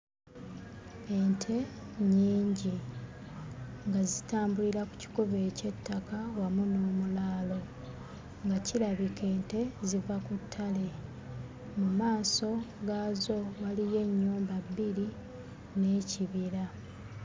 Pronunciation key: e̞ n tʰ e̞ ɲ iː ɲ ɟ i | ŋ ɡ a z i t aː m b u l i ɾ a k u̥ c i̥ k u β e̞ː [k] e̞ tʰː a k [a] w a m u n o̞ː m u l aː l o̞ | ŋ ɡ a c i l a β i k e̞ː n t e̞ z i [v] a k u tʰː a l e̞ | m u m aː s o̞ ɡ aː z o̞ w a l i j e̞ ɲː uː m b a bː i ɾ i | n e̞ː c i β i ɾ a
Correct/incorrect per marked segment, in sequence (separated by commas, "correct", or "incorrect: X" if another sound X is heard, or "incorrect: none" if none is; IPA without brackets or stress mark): incorrect: c, correct, correct